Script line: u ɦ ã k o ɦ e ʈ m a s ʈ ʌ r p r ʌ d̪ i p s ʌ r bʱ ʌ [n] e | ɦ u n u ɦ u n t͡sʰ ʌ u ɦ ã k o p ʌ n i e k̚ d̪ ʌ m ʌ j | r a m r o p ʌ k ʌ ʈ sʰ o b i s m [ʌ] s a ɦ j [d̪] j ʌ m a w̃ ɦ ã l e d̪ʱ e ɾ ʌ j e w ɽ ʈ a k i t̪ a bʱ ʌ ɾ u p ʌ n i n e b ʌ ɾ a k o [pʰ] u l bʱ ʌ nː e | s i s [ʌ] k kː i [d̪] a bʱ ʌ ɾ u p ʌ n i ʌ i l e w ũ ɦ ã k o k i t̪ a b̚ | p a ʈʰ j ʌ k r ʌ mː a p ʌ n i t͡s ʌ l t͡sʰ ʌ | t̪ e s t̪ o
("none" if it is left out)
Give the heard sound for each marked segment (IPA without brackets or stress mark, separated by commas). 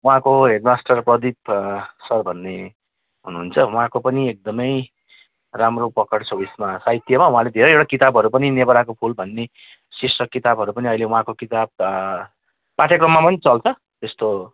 nː, a, t̪, pʰ, ʌ, t̪